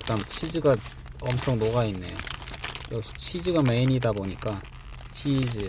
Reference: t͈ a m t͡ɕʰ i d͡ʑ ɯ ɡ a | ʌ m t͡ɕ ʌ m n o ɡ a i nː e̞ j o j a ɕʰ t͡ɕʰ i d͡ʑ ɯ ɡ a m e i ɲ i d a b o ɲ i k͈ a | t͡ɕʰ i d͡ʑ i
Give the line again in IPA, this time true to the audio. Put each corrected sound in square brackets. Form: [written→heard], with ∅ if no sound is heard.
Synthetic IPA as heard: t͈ a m t͡ɕʰ i d͡ʑ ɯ ɡ a | ʌ m [t͡ɕ→t͡ɕʰ] ʌ [m→ŋ] n o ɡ a i nː e̞ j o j [a→ʌ] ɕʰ t͡ɕʰ i d͡ʑ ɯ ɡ a m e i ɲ i d a b o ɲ i k͈ a | t͡ɕʰ i d͡ʑ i